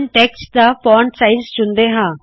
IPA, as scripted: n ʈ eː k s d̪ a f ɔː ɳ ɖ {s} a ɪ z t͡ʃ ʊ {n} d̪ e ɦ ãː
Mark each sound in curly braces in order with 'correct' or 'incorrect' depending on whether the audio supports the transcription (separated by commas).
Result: correct, correct